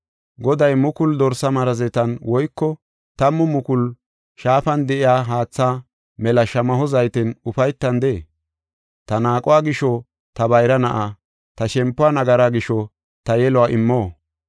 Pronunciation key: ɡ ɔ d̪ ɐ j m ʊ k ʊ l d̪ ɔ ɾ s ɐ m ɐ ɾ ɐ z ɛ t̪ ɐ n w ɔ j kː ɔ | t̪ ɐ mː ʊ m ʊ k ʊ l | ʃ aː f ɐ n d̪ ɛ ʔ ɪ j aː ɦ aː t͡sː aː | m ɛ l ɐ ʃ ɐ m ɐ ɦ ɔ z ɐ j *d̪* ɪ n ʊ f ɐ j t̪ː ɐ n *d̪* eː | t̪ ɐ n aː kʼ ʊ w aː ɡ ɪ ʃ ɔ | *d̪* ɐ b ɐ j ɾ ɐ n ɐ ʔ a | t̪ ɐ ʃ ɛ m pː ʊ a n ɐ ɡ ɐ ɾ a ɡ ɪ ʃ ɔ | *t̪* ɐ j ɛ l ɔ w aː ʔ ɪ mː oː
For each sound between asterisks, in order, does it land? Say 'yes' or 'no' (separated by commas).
no, yes, no, yes